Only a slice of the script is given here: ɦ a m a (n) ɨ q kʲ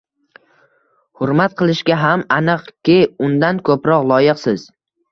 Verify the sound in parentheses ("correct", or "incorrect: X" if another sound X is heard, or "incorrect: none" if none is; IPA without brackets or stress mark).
correct